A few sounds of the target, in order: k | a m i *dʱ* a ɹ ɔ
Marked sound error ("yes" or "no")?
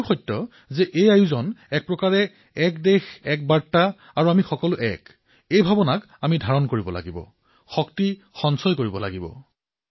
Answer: no